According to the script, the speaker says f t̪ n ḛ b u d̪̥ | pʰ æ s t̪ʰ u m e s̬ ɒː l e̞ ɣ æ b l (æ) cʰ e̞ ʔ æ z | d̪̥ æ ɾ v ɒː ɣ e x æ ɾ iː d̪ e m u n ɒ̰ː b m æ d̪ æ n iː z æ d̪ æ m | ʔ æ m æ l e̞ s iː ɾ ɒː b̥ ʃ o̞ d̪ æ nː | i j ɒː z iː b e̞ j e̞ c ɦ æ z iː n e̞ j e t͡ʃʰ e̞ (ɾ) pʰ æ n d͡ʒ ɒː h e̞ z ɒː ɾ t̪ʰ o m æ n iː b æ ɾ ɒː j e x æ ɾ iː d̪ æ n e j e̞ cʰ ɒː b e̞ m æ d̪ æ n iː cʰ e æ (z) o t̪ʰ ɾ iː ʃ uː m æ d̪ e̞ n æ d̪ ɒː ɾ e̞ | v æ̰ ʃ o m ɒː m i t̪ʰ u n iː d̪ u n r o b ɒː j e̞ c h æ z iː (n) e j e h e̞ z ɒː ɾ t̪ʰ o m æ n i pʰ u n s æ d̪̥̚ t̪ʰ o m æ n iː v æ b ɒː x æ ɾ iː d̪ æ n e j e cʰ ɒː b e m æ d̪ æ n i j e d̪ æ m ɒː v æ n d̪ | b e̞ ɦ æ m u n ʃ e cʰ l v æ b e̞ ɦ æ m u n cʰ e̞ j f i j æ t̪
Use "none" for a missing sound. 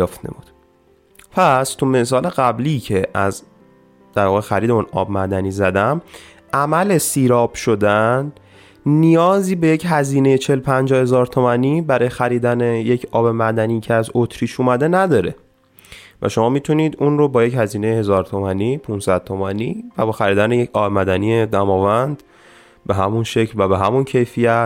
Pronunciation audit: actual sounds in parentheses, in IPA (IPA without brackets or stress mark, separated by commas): i, l, z, n